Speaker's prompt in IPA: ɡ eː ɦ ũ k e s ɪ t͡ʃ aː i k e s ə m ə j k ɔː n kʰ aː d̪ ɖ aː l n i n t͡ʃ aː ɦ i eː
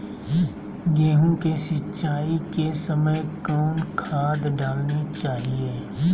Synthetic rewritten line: ɡ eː ɦ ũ k e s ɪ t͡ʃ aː i k e s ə m ə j k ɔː n kʰ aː d̪ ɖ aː l n i t͡ʃ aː ɦ i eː